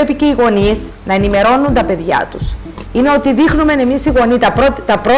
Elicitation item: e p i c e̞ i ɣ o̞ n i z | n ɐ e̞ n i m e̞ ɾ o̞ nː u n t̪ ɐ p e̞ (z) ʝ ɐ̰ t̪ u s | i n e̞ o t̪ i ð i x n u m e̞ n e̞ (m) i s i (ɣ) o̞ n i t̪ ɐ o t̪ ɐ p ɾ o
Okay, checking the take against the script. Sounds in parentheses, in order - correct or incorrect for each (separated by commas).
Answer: incorrect, correct, correct